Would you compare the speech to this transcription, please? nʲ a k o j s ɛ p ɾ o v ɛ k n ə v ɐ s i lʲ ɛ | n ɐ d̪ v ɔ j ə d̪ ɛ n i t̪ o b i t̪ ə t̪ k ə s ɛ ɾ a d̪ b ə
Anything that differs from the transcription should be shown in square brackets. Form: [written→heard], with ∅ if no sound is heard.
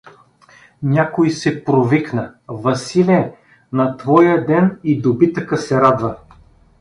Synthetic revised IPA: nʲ a k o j s ɛ p ɾ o v [ɛ→i] k n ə v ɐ s i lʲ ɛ | n ɐ [d̪→t̪] v ɔ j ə d̪ ɛ n i [t̪→d̪] o b i t̪ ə [t̪→∅] k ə s ɛ ɾ a d̪ [b→v] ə